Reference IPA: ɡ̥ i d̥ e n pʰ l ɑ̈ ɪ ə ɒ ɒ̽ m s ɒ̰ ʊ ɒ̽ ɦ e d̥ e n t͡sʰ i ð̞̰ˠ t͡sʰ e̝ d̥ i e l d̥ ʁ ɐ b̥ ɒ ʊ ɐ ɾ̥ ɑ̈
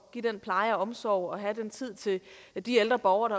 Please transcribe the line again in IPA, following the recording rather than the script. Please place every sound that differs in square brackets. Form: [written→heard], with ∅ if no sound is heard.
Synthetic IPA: ɡ̥ i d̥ e n pʰ l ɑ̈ ɪ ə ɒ ɒ̽ m s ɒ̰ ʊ ɒ̽ ɦ [e→æ] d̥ e n t͡sʰ i ð̞̰ˠ t͡sʰ e̝ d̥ i e l d̥ ʁ ɐ b̥ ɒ ʊ ɐ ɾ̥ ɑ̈